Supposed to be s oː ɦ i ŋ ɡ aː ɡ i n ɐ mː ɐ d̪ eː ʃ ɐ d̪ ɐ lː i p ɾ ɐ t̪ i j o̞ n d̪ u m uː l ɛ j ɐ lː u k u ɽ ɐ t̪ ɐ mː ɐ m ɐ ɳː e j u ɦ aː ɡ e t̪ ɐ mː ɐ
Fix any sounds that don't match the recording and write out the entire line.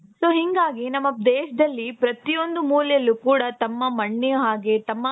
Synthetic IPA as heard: s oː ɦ i ŋ ɡ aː ɡ i n ɐ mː ɐ d̪ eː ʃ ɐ d̪ ɐ lː i p ɾ ɐ t̪ i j o̞ n d̪ u m uː l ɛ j ɐ lː u k uː ɽ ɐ t̪ ɐ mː ɐ m ɐ ɳː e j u ɦ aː ɡ e t̪ ɐ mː ɐ